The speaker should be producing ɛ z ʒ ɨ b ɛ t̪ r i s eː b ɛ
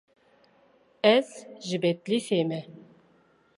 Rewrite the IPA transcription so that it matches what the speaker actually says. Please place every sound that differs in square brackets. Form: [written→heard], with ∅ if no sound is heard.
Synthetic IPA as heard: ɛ z ʒ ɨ b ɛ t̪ [r→l] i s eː [b→m] ɛ